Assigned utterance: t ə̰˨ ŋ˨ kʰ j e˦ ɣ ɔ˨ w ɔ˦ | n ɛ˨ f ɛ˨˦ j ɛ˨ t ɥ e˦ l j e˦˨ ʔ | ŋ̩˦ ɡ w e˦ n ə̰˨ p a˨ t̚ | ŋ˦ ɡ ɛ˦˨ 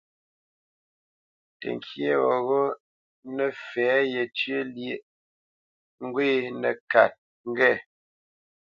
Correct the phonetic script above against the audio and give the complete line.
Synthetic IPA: t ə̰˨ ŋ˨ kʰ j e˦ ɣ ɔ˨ ɣ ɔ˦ | n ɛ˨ f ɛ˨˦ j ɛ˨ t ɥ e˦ l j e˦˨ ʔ | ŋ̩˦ ɡ w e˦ n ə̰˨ k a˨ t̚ | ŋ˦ ɡ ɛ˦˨